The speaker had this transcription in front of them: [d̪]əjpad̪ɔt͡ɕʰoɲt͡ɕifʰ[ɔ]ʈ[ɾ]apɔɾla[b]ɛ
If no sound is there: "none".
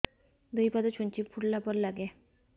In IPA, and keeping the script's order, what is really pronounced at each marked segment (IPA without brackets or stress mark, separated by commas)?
d̪, u, l, ɡ